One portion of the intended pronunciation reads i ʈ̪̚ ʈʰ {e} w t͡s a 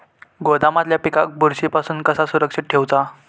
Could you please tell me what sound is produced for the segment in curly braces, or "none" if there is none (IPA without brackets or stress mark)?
e